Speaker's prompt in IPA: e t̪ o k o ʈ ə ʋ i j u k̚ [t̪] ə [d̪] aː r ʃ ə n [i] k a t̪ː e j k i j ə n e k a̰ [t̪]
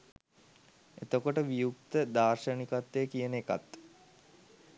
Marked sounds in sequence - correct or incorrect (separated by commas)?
correct, correct, correct, correct